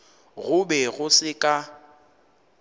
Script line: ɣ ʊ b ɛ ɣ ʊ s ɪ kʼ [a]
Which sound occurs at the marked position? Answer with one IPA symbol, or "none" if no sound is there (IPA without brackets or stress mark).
a